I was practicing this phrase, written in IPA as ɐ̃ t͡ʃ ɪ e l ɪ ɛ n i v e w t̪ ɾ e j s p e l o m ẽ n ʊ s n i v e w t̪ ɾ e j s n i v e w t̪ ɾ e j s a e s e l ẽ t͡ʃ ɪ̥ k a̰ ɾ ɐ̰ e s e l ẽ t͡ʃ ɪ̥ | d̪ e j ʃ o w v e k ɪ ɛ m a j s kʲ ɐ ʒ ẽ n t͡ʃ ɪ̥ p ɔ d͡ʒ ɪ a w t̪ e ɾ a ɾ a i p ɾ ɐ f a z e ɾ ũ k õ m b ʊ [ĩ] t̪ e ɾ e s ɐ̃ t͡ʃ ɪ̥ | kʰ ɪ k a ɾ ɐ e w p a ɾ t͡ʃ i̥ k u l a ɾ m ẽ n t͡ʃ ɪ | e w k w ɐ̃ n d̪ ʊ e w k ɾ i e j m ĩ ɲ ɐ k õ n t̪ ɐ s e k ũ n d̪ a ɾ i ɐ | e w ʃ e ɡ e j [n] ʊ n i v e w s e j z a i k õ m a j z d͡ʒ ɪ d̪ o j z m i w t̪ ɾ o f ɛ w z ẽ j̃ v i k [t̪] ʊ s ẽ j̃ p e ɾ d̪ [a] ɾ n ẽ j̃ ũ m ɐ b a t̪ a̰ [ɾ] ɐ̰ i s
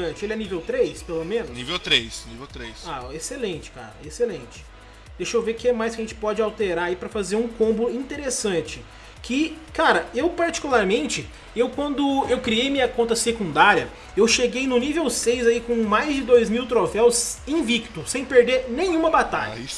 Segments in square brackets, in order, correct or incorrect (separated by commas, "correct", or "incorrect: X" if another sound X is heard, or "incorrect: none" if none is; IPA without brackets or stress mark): correct, correct, correct, incorrect: e, incorrect: ʎ